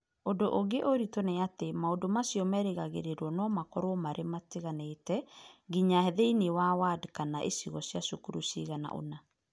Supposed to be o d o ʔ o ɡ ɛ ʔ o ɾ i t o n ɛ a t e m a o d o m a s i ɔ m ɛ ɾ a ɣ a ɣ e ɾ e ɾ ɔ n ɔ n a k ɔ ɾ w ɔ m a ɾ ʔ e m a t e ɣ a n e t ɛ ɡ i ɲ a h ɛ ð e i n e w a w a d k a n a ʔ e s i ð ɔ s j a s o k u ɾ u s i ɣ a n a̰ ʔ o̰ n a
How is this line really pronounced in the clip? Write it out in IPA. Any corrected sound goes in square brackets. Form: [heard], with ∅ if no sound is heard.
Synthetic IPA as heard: o d o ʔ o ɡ [e] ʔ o ɾ i t o n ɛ a t e m a o d o m a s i ɔ m ɛ ɾ [e] ɣ a ɣ e ɾ e ɾ ɔ n ɔ [m] a k ɔ ɾ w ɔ m a ɾ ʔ e m a t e ɣ a n e t ɛ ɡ i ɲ a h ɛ ð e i n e w a w a d k a n a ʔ e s i [ɣ] ɔ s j a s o k u ɾ u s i ɣ a n a̰ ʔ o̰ n a

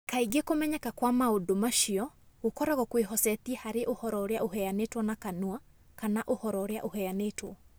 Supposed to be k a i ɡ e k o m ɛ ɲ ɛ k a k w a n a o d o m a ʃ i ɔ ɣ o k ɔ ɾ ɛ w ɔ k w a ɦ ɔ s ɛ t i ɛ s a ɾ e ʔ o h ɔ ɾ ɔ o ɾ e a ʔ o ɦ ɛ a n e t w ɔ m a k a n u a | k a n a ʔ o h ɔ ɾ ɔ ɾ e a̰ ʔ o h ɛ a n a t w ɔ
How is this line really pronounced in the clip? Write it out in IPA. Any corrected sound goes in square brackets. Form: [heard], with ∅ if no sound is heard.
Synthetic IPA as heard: k a i ɡ e k o m ɛ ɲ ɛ k a k w a [m] a o d o m a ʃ i ɔ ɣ o k ɔ ɾ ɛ [ɣ] ɔ k w [e] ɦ ɔ s ɛ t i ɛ [h] a ɾ e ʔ o h ɔ ɾ ɔ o ɾ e a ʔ o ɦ ɛ a n e t w ɔ [n] a k a n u a | k a n a ʔ o h ɔ ɾ ɔ ɾ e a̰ ʔ o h ɛ a n [e] t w ɔ

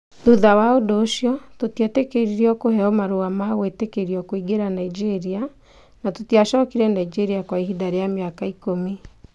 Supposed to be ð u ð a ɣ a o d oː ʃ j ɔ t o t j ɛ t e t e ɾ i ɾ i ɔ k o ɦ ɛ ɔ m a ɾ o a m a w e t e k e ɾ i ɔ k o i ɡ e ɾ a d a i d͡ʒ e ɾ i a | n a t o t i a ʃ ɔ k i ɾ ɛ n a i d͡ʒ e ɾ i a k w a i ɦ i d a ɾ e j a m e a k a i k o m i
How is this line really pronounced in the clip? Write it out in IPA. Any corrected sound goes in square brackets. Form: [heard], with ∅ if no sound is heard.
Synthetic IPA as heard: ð u ð a [w] a o d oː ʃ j ɔ t o t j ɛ t e [k] e ɾ i ɾ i ɔ k o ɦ ɛ ɔ m a ɾ o a m a w e t e k e ɾ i ɔ k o i ɡ e ɾ a [n] a i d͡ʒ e ɾ i a | n a t o t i a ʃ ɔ k i ɾ ɛ n a i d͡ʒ e ɾ i a k w a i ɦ i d a ɾ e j a m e a k a i k o m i

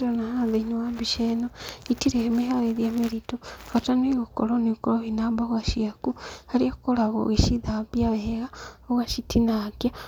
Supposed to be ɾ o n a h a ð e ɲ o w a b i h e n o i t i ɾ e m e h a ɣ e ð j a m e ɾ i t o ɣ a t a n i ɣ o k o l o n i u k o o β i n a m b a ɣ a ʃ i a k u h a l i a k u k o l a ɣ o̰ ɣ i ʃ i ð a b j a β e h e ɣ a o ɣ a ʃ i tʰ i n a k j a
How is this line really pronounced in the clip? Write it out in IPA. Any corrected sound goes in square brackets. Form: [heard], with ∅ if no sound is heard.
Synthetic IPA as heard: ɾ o n a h a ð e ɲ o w a b i [ʃ] e n o i t i ɾ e m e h a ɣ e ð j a m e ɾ i t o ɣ a t a n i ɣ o k o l o n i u k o o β i n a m b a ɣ a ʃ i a k u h a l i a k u k o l a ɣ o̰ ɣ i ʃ i ð a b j a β e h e ɣ a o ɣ a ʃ i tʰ i n a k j a

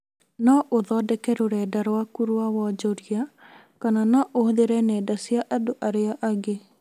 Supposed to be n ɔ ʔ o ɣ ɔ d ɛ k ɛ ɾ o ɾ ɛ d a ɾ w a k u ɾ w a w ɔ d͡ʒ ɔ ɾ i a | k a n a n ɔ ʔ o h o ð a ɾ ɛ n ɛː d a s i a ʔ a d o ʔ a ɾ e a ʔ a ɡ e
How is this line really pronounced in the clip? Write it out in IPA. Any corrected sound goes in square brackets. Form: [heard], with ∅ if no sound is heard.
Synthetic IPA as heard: n ɔ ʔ o [ð] ɔ d ɛ k ɛ ɾ o ɾ ɛ d a ɾ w a k u ɾ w a w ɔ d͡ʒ ɔ ɾ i a | k a n a n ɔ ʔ o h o ð [e] ɾ ɛ n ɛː d a s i a ʔ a d o ʔ a ɾ e a ʔ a ɡ e

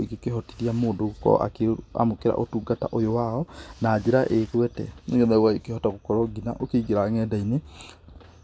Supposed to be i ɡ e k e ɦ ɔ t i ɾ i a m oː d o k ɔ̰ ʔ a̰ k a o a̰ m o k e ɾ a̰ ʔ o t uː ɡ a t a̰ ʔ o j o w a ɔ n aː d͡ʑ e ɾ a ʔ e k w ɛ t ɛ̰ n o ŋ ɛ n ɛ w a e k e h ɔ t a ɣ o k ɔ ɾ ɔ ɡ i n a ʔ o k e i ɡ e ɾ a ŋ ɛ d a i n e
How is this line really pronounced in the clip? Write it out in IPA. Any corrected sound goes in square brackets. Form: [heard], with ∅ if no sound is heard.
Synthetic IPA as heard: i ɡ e k e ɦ ɔ t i ɾ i a m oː d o k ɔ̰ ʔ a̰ k [e] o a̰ m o k e ɾ a̰ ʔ o t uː ɡ a t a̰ ʔ o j o w a ɔ n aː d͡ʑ e ɾ a ʔ e k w ɛ t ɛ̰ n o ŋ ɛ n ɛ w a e k e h ɔ t a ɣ o k ɔ ɾ ɔ ɡ i n a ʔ o k e i ɡ e ɾ a ŋ ɛ d a i n e

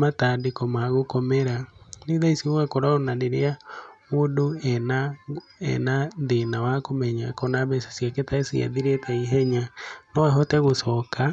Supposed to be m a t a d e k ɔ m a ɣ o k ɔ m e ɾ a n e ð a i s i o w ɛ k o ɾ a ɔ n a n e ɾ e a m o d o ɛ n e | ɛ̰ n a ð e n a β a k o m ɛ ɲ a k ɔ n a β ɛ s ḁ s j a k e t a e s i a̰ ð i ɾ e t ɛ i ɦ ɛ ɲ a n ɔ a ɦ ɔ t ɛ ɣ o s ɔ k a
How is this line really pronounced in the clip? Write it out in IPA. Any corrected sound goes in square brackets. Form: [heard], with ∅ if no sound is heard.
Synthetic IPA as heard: m a t a d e k ɔ m a ɣ o k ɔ m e ɾ a n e ð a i s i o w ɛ k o ɾ a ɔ n a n e ɾ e a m o d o ɛ n [a] | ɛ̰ n a ð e n a [w] a k o m ɛ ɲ a k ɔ n a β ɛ s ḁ s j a k e t a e s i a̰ ð i ɾ e t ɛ i ɦ ɛ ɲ a n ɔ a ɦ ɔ t ɛ ɣ o s ɔ k a

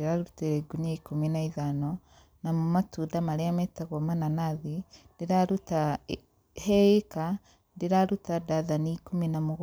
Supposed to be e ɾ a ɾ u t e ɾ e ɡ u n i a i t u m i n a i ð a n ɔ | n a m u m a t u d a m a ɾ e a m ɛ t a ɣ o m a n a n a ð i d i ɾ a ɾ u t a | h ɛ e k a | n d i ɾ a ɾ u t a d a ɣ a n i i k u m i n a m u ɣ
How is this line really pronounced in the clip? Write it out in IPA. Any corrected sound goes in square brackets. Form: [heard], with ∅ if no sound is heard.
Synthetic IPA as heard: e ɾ a ɾ u t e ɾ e ɡ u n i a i [k] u m i n a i ð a n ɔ | n a m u m a t u d a m a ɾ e a m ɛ t a ɣ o m a n a n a ð i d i ɾ a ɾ u t a | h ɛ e k a | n d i ɾ a ɾ u t a d a [ð] a n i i k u m i n a m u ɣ

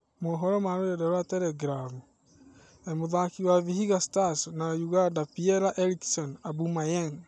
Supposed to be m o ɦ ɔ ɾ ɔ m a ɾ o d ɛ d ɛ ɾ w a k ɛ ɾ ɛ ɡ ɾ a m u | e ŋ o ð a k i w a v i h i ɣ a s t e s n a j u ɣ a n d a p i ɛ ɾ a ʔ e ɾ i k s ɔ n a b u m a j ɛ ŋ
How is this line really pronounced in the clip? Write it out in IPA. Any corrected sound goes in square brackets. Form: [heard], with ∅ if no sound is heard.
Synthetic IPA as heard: m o ɦ ɔ ɾ ɔ m a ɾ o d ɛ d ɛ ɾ w a [t] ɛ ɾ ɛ ɡ ɾ a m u | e [m] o ð a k i w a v i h i ɣ a s t [a] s n a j u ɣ a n d a p i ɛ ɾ a ʔ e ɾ i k s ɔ n a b u m a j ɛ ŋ

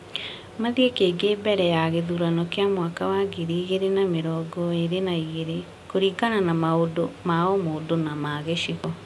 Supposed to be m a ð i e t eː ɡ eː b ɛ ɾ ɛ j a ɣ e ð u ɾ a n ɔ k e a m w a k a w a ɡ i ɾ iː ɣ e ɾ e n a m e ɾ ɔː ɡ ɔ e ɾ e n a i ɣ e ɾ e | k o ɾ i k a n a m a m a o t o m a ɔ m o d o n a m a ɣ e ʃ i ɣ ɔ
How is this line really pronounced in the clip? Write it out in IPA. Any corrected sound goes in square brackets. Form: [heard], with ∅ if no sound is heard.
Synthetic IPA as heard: m a ð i e [k] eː ɡ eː b ɛ ɾ ɛ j a ɣ e ð u ɾ a n ɔ k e a m w a k a w a ɡ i ɾ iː ɣ e ɾ e n a m e ɾ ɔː ɡ ɔ e ɾ e n a i ɣ e ɾ e | k o ɾ i k a n a [n] a m a o [d] o m a ɔ m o d o n a m a ɣ e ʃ i ɣ ɔ

